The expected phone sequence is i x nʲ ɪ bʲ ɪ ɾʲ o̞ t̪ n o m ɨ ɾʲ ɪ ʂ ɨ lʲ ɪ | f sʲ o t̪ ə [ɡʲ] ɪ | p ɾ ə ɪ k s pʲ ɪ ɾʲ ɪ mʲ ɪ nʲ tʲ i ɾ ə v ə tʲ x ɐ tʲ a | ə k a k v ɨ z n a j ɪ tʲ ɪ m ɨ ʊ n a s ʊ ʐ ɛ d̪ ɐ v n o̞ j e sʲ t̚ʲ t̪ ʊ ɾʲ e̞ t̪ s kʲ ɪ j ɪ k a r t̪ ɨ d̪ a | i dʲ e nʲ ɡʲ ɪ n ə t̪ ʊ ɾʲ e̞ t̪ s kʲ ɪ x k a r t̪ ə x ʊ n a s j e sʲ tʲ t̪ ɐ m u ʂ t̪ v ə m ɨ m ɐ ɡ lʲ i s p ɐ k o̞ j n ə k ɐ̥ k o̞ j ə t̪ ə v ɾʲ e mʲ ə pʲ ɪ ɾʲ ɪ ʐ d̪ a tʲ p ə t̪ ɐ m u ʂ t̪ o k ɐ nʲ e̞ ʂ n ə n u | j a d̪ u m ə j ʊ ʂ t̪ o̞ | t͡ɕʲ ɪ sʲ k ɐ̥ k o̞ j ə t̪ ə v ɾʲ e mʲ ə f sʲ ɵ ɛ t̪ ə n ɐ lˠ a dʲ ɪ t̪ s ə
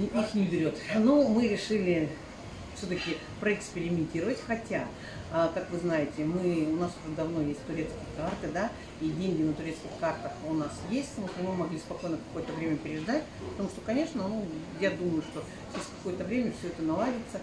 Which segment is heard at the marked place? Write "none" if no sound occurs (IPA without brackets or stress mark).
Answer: kʲ